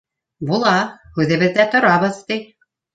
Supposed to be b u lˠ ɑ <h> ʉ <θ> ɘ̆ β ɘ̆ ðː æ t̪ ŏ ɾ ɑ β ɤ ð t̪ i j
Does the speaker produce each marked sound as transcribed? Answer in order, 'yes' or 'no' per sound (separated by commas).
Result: yes, no